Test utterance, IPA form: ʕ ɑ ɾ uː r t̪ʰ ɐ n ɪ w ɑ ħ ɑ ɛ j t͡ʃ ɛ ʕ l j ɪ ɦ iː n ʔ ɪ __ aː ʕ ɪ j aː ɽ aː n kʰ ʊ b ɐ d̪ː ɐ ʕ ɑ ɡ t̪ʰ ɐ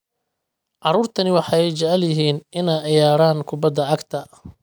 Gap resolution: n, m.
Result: n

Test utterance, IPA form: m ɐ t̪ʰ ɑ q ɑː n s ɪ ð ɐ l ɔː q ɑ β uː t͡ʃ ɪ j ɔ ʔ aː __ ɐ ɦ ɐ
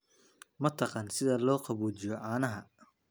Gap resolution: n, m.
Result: n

